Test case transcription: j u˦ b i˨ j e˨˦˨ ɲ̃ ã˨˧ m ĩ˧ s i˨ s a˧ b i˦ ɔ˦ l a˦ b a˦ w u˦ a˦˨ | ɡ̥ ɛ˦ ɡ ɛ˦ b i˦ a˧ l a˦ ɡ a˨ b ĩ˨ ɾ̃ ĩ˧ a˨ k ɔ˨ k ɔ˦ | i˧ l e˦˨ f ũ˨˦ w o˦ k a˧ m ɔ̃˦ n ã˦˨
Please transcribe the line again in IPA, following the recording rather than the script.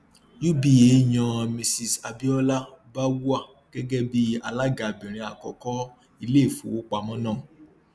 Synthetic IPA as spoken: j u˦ b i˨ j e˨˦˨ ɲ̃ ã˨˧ m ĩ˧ s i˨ s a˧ b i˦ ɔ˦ l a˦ b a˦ w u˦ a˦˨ | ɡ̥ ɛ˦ ɡ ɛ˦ b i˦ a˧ l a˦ ɡ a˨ b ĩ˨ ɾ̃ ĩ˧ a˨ k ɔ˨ k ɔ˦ | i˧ l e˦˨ f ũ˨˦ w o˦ k͡p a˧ m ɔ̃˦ n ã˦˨